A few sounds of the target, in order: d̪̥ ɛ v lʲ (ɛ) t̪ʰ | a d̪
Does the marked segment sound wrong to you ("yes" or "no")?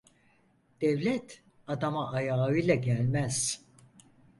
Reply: no